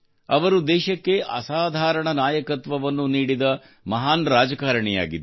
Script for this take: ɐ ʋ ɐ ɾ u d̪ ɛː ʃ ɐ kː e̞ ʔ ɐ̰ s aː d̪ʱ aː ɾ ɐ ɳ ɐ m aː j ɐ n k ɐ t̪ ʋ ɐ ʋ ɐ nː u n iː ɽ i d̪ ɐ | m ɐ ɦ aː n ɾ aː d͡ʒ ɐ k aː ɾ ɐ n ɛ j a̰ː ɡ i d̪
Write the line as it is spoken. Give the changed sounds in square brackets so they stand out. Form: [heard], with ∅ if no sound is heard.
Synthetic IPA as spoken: ɐ ʋ ɐ ɾ u d̪ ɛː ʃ ɐ kː e̞ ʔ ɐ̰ s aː d̪ʱ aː ɾ ɐ ɳ ɐ [n] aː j ɐ [∅] k ɐ t̪ ʋ ɐ ʋ ɐ nː u n iː ɽ i d̪ ɐ | m ɐ ɦ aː n ɾ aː d͡ʒ ɐ k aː ɾ ɐ [ɳ] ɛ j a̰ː ɡ i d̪